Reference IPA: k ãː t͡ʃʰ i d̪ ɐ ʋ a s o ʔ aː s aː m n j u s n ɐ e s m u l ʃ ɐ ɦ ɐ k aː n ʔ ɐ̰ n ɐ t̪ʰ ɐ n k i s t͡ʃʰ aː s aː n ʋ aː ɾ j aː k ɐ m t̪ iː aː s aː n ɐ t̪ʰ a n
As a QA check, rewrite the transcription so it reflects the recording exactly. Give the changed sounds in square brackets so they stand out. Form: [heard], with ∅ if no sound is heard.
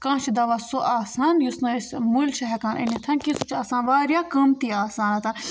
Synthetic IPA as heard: k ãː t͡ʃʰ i d̪ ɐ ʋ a s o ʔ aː s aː [∅] n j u s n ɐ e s m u l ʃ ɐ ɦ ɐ k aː n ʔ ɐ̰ n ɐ t̪ʰ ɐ n k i s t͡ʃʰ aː s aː n ʋ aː ɾ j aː k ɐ m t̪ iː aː s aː n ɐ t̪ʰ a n